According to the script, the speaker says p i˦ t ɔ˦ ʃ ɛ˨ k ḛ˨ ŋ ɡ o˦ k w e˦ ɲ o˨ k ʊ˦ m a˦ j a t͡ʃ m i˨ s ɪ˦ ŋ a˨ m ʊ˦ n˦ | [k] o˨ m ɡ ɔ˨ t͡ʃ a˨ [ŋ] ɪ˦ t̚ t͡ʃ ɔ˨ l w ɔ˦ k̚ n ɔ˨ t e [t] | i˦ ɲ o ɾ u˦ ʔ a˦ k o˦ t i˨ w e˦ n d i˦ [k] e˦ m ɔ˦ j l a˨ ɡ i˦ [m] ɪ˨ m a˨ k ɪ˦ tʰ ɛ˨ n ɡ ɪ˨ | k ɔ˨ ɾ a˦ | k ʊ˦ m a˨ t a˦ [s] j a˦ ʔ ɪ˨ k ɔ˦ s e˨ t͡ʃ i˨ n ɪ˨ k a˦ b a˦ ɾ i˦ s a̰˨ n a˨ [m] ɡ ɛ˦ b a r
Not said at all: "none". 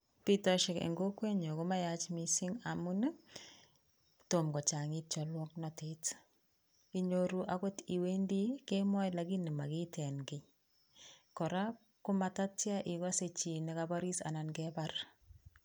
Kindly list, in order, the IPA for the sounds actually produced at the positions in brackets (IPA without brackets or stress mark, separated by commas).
t, ŋ, t, k, n, t, n